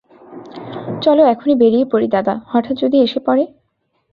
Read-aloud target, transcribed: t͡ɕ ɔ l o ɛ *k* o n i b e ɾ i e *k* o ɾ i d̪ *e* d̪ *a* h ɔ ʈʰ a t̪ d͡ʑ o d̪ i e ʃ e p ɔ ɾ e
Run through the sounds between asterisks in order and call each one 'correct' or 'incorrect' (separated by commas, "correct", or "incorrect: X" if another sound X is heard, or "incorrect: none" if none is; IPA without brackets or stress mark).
incorrect: kʰ, incorrect: p, incorrect: a, correct